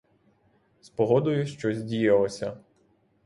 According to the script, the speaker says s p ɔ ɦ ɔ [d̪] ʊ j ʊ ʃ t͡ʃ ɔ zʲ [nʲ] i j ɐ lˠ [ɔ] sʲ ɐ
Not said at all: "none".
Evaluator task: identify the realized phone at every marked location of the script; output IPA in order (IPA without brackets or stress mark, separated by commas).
d̪, dʲ, ɔ